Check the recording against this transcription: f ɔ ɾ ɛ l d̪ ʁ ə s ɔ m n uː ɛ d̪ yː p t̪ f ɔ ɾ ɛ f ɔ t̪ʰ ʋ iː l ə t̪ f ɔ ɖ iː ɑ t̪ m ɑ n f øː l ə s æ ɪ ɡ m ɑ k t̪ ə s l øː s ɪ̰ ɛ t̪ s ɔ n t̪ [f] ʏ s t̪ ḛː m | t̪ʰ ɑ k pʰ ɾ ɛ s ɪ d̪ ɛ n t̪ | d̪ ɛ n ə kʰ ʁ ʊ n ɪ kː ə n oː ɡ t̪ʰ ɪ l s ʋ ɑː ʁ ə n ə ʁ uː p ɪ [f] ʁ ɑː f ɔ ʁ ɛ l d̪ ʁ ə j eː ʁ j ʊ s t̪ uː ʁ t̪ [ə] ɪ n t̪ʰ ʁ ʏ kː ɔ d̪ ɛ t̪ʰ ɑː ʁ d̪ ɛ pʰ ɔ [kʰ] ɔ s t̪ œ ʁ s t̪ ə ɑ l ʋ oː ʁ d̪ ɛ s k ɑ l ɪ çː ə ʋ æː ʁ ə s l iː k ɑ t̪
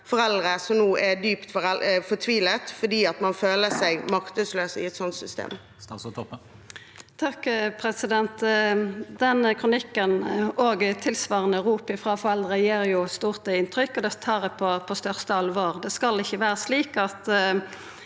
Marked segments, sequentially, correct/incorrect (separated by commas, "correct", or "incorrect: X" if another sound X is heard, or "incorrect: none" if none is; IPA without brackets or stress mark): incorrect: s, correct, correct, incorrect: pʰ